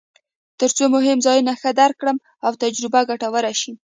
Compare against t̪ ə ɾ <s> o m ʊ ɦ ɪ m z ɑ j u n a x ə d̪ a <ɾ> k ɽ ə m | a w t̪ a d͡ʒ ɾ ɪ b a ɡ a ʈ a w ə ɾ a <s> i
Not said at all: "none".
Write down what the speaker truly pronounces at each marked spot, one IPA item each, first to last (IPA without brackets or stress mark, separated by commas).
t͡s, ɾ, ʃ